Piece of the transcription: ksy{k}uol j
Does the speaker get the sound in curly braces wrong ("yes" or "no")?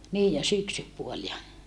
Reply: yes